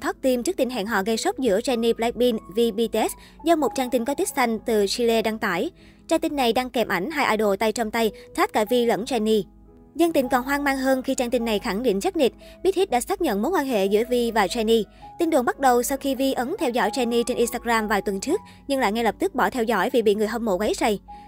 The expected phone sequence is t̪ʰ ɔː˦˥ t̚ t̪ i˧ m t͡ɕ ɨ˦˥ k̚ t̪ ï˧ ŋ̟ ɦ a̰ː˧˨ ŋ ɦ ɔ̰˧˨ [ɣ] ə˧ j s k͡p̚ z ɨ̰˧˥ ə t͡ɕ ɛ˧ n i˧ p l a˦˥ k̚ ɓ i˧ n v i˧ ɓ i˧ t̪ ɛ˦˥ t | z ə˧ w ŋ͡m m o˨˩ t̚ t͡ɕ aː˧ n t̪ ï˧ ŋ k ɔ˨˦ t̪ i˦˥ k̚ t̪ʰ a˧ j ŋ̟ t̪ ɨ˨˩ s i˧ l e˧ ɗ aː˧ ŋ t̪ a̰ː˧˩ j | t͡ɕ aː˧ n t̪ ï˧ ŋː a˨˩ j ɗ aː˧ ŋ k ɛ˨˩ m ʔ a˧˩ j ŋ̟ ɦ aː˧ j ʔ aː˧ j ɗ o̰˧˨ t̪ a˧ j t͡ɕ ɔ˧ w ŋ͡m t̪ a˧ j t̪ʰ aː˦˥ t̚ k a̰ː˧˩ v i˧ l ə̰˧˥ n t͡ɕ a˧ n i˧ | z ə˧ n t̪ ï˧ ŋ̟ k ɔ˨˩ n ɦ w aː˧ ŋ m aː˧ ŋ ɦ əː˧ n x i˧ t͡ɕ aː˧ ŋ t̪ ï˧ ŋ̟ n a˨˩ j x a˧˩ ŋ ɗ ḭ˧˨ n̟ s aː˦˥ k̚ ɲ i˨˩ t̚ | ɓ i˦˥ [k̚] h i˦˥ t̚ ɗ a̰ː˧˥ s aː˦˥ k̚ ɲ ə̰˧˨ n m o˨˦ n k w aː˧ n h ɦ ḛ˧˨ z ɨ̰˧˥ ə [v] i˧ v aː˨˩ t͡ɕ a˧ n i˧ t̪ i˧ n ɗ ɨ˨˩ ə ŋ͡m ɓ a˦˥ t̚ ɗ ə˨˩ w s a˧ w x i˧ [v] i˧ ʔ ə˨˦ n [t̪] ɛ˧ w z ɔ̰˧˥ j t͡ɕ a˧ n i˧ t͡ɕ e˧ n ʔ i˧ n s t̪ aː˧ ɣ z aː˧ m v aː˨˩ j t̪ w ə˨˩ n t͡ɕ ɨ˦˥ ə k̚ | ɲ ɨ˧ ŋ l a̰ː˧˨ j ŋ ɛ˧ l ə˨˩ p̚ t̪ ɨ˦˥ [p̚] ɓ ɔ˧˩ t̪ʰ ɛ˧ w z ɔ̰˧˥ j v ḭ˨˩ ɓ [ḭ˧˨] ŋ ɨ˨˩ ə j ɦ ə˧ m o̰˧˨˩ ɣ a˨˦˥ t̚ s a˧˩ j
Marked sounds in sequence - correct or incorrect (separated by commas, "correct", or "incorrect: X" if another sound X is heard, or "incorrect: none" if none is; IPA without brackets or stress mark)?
correct, incorrect: t̚, correct, correct, incorrect: t̪ʰ, incorrect: k̚, correct